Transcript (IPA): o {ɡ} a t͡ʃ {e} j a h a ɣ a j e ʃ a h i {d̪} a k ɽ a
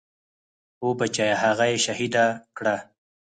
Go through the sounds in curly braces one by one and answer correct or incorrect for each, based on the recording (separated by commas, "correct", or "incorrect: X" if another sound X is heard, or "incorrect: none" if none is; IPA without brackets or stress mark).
incorrect: b, incorrect: a, correct